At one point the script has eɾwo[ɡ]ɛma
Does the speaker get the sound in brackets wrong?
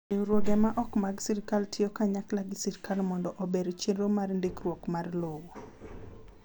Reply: no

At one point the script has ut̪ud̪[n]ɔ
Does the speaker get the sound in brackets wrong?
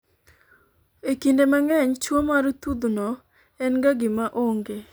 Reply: no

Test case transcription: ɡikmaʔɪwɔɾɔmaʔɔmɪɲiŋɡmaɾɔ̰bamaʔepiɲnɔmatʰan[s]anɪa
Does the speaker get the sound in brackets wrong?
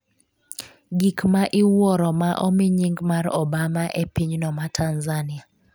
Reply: yes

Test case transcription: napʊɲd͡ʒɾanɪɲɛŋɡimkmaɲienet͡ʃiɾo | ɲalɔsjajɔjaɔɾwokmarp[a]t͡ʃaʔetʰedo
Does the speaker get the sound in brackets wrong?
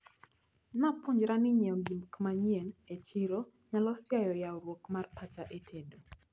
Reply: no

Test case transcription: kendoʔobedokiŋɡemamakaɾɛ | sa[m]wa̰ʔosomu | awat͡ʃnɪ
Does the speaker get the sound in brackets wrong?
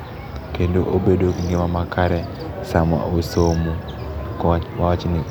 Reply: no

